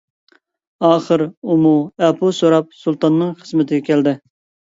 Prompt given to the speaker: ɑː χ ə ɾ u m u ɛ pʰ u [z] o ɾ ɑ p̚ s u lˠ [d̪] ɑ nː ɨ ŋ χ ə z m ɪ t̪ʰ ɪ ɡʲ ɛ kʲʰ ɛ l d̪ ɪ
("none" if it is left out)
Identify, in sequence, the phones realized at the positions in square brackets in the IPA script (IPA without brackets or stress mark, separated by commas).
s, t̪